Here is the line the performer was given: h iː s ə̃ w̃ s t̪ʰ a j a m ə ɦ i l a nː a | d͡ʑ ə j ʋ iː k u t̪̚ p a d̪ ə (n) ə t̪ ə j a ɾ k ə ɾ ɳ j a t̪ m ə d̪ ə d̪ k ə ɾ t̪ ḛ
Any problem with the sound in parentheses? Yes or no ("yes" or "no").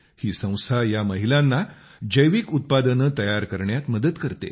no